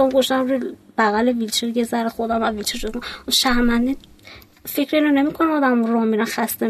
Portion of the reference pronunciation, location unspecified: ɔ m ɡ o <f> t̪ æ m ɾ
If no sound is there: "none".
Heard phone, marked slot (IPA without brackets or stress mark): ʃ